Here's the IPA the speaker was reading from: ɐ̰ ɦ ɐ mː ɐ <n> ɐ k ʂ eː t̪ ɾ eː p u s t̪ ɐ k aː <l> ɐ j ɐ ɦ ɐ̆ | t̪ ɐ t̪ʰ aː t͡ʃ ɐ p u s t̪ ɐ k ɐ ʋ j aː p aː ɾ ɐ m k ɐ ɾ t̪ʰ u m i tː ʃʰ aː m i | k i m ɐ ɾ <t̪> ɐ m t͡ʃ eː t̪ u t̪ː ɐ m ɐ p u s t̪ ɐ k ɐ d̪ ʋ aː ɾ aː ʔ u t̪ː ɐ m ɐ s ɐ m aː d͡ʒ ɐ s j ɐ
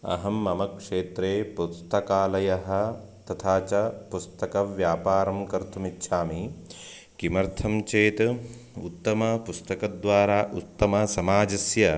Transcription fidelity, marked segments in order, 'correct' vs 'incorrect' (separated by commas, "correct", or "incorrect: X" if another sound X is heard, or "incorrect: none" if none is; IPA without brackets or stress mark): incorrect: m, correct, incorrect: t̪ʰ